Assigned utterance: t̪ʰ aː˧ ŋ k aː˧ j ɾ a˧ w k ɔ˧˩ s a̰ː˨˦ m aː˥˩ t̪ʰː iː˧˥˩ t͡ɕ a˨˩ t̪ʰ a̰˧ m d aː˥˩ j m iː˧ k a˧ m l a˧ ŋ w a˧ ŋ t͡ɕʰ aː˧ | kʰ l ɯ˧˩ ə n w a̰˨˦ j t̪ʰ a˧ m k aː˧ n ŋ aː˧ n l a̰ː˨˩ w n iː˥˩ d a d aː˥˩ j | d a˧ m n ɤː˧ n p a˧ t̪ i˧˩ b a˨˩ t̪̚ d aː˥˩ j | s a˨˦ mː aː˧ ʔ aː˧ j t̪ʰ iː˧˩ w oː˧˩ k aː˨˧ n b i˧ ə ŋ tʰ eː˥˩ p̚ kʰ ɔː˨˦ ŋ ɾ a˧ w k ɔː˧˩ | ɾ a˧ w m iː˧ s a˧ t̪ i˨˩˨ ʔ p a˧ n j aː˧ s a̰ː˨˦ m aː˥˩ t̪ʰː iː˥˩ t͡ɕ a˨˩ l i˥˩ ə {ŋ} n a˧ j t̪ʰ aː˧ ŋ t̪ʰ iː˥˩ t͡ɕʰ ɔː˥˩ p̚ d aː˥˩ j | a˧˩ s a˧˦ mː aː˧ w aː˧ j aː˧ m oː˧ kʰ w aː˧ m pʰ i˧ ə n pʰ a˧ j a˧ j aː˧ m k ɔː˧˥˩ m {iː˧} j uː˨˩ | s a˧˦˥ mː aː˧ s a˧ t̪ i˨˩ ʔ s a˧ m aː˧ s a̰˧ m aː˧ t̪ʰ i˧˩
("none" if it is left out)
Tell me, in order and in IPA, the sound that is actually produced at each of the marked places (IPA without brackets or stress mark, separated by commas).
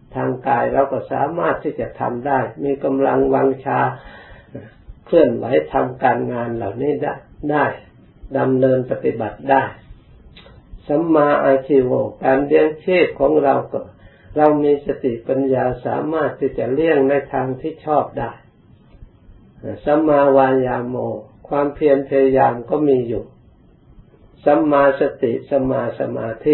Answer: ŋ, iː˧